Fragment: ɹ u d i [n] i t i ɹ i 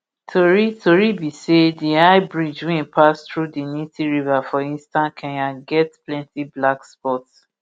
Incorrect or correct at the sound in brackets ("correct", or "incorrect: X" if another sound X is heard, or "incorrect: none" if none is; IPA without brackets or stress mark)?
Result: correct